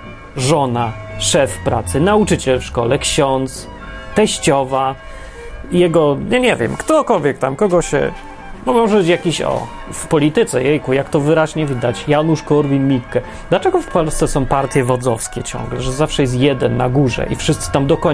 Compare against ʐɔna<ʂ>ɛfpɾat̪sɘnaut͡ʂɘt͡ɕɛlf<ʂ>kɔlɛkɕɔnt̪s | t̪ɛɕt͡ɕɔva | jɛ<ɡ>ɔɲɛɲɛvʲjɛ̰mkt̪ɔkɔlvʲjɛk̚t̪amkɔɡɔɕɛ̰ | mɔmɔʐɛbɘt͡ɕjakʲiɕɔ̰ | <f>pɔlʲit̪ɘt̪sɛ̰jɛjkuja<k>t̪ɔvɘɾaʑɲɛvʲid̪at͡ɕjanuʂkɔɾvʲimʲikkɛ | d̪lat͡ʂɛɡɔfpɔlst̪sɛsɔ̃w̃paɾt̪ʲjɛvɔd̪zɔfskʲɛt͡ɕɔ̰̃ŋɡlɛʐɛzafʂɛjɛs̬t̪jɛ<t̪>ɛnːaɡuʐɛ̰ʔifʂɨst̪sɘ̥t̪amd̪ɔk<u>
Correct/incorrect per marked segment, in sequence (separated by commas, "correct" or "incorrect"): correct, correct, correct, correct, correct, incorrect, incorrect